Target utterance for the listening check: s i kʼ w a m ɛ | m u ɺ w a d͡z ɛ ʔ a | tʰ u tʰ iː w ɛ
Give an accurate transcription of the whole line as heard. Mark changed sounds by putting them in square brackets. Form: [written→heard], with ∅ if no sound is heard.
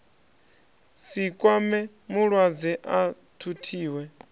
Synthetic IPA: s i kʼ w a m ɛ | m u ɺ w a d͡z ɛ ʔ a | tʰ u tʰ iː w ɛ

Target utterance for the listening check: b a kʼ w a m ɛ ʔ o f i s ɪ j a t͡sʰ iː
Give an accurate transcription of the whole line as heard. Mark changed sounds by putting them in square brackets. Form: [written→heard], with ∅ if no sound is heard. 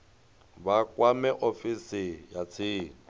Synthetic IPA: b a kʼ w a m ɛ ʔ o f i s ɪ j a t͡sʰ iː

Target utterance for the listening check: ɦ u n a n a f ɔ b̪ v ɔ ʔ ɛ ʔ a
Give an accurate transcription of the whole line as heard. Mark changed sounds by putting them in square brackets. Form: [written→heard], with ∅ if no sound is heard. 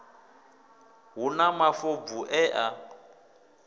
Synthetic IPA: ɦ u n a [n→m] a f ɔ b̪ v [ɔ→u] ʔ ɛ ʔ a

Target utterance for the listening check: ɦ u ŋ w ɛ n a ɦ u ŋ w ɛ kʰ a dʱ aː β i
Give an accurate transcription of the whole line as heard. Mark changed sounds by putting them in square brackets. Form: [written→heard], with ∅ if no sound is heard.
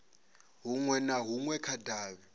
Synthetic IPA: ɦ u ŋ w ɛ n a ɦ u ŋ w ɛ kʰ a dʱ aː β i

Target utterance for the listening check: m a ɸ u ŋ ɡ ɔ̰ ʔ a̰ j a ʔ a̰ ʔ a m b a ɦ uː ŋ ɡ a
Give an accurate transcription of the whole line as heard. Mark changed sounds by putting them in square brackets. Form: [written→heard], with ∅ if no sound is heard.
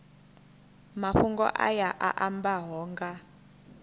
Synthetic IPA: m a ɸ u ŋ ɡ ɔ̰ ʔ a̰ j a ʔ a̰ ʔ a m b a ɦ [uː→ɔː] ŋ ɡ a

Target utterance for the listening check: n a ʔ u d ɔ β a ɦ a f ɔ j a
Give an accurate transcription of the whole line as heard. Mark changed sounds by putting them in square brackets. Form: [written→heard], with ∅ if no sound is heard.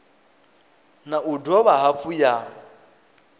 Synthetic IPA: n a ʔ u d ɔ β a ɦ a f [ɔ→u] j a

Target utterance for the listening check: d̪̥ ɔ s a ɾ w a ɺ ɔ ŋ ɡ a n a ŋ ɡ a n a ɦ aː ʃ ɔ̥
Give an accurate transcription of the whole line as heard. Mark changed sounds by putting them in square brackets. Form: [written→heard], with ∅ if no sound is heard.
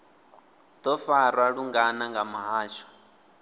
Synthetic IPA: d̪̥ ɔ [s→f] a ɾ w a ɺ [ɔ→u] ŋ ɡ a n a ŋ ɡ a [n→m] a ɦ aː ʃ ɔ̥

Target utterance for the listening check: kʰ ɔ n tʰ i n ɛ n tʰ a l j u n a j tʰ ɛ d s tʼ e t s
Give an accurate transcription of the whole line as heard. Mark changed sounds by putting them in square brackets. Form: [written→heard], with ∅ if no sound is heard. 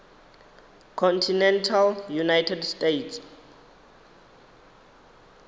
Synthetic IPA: kʰ ɔ n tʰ i n ɛ n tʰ a l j u n a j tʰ ɛ d s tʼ e t s

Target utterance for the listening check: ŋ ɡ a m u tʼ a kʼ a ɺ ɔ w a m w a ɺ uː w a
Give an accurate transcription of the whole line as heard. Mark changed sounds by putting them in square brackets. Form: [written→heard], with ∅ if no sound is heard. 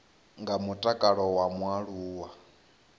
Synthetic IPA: ŋ ɡ a m u tʼ a kʼ a ɺ ɔ w a m w a ɺ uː w a

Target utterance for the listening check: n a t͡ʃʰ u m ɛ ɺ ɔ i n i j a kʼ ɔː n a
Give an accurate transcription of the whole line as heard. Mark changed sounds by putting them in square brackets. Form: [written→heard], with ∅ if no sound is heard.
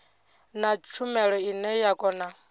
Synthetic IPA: n a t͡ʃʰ u m ɛ ɺ ɔ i n [i→ɛ] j a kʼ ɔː n a

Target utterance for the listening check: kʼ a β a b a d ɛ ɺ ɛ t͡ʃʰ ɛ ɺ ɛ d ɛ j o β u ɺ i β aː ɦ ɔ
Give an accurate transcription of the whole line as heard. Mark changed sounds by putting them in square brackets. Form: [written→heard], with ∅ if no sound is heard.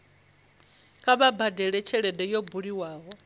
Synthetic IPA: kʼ a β a b a d ɛ ɺ ɛ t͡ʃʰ ɛ ɺ ɛ d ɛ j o [β→b] u ɺ i [β→w] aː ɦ ɔ

